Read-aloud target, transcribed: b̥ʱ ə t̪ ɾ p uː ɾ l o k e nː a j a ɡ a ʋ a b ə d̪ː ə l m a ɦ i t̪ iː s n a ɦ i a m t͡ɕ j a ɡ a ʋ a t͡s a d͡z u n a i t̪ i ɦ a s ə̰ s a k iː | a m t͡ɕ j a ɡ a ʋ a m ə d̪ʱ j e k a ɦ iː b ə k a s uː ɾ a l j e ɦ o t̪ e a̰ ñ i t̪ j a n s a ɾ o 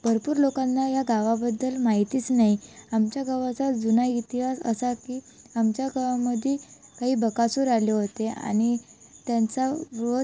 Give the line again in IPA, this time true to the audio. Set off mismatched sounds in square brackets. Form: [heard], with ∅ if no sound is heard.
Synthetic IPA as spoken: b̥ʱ ə [∅] ɾ p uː ɾ l o k [a] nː a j a ɡ a ʋ a b ə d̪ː ə l m a ɦ i t̪ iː [t͡s] n a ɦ i a m t͡ɕ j a ɡ a ʋ a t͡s a d͡z u n a i t̪ i ɦ a s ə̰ s a k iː | a m t͡ɕ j a ɡ a ʋ a m ə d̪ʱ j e k a ɦ iː b ə k a s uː ɾ a l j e ɦ o t̪ e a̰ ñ i t̪ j a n [t͡s] a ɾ o